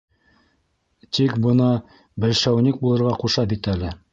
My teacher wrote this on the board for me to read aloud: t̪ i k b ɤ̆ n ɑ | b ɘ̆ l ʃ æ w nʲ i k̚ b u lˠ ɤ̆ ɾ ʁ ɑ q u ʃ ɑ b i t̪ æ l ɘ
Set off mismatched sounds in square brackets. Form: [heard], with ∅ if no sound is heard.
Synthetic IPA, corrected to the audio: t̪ i k b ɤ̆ n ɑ | b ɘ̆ l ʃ æ w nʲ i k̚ b u lˠ ɤ̆ ɾ ʁ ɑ q u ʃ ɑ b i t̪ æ l ɘ